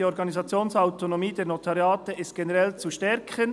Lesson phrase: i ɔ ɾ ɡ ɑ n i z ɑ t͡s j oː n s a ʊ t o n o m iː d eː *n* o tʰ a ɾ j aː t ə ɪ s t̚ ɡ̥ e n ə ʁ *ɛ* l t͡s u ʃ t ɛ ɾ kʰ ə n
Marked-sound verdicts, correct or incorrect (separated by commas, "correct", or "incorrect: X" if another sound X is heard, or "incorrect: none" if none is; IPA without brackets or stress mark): correct, correct